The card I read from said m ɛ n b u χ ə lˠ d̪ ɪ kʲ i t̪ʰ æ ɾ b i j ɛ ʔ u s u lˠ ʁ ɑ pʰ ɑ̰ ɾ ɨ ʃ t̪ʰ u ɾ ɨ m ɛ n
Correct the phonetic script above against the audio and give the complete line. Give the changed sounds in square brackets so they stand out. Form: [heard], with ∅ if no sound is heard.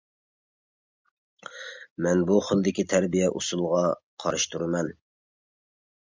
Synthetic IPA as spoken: m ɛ n b u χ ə lˠ d̪ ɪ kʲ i t̪ʰ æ ɾ b i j ɛ ʔ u s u lˠ ʁ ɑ [qʰ] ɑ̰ ɾ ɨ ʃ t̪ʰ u ɾ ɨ m ɛ n